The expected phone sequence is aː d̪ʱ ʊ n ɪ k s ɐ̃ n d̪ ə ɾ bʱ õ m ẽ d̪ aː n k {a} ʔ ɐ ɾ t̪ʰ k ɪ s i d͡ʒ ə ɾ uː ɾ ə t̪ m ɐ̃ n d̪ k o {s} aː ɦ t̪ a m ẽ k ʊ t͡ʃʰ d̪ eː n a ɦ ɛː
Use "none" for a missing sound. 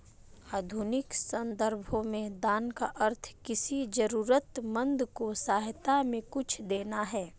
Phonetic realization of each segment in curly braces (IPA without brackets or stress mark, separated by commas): a, s